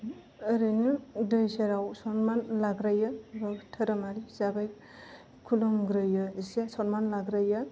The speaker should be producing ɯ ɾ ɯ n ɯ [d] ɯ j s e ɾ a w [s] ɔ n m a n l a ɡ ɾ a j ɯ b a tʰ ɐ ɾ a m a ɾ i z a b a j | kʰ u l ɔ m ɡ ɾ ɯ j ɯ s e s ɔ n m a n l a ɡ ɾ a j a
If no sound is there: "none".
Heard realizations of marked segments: d, s

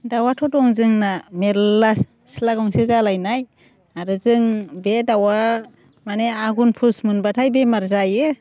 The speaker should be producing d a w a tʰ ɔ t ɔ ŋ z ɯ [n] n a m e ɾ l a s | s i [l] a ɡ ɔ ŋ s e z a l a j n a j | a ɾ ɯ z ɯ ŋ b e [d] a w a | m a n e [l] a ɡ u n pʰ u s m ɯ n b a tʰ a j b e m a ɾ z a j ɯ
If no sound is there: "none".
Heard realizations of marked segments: ŋ, l, d, none

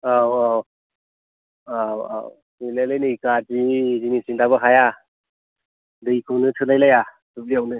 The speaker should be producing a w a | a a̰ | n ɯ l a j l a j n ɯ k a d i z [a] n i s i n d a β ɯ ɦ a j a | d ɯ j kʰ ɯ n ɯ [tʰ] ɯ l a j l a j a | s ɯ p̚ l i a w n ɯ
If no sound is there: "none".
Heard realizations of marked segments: i, tʰ

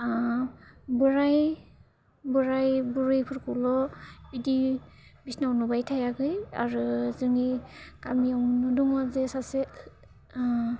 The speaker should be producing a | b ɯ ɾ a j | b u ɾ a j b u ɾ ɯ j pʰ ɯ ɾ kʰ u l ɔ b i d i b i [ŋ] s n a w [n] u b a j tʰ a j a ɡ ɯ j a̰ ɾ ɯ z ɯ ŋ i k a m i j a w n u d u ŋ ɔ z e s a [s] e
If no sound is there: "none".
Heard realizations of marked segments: none, n, s

